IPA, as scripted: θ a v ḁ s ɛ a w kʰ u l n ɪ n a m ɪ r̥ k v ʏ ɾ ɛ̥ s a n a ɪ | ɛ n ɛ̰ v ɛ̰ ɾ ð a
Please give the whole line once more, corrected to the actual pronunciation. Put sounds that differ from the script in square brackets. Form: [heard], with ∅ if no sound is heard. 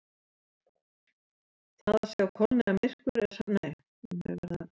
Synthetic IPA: θ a [ð] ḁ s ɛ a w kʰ [ɔ] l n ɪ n a m ɪ r̥ k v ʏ ɾ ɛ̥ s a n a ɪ | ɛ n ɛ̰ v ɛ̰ ɾ ð a